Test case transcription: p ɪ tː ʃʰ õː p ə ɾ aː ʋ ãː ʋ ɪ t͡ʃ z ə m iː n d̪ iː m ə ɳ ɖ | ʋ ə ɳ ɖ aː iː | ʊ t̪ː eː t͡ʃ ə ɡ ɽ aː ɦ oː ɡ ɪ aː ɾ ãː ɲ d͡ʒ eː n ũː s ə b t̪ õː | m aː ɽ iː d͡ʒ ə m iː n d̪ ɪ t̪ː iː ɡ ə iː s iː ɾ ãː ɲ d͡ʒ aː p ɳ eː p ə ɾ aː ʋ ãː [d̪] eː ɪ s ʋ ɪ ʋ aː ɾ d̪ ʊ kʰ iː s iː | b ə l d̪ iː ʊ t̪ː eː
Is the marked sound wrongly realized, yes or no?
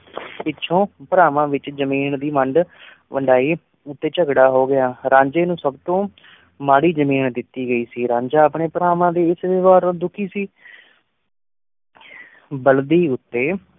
no